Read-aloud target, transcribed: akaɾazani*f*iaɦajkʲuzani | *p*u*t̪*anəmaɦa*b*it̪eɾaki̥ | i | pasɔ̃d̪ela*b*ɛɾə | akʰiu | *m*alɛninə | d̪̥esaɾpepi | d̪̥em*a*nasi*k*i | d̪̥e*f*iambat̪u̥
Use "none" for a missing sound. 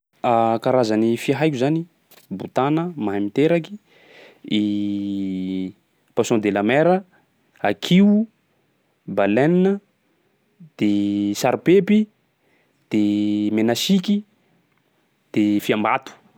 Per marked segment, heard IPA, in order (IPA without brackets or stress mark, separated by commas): f, b, t̪, m, m, b, e, k, f